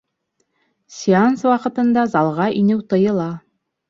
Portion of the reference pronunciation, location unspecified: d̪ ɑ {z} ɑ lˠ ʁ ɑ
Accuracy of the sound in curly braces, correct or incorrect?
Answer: correct